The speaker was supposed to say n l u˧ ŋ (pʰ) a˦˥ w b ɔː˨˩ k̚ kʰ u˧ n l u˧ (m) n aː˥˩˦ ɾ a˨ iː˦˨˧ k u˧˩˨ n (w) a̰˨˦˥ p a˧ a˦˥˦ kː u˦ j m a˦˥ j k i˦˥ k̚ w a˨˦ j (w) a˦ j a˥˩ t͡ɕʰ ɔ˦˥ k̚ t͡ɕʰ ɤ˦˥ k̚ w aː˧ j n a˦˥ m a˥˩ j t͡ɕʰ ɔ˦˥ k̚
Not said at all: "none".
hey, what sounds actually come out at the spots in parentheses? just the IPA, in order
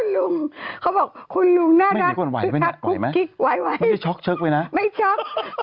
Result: kʰ, ŋ, w, w

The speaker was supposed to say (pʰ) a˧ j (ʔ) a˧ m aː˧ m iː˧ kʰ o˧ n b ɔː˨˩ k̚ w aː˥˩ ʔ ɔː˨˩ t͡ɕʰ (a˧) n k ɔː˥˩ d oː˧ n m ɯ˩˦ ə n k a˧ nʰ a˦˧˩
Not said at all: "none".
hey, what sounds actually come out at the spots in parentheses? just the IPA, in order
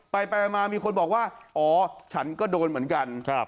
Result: p, p, a˦˥

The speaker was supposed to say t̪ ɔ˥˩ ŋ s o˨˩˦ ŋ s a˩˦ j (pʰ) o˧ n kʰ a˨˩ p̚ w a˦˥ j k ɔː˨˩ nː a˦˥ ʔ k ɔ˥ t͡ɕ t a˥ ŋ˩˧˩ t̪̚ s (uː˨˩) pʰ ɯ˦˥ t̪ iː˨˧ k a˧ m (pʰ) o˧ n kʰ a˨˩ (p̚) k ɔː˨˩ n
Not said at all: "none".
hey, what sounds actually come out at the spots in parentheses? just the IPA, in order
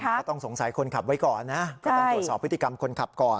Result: kʰ, ɔː˨˩, kʰ, p̚

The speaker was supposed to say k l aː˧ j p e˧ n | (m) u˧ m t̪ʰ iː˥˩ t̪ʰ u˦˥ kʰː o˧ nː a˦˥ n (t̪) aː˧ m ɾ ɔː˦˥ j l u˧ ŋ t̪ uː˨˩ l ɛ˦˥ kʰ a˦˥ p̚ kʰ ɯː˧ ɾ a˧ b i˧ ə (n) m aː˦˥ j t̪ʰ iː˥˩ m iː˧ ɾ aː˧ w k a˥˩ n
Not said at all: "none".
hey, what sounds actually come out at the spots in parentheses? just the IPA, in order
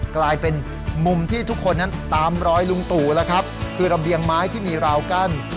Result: m, t̪, ŋ

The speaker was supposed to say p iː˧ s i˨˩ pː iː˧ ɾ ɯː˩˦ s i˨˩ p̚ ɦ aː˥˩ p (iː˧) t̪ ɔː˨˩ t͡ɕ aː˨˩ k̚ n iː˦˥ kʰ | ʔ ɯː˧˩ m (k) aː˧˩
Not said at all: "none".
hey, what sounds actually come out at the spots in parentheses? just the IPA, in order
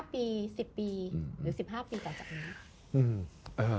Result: iː˧, ʔ

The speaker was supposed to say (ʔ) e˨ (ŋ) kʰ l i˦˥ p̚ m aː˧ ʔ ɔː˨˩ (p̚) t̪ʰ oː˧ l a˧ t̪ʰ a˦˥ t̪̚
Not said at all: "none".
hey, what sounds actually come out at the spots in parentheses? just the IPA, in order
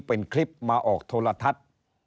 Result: p, n, k̚

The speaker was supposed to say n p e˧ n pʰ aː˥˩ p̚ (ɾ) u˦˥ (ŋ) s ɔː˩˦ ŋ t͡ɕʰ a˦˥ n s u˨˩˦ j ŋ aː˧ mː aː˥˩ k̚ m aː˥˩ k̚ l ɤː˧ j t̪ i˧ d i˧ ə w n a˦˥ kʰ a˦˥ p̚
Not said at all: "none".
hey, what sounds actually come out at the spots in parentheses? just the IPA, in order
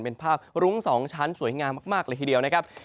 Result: ɾ, ŋ

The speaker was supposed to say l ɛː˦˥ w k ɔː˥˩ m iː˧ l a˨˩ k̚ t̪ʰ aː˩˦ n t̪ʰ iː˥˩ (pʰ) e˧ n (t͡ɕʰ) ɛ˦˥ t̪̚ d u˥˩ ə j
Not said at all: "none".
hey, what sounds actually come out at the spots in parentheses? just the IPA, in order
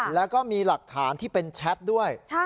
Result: p, t͡ɕʰ

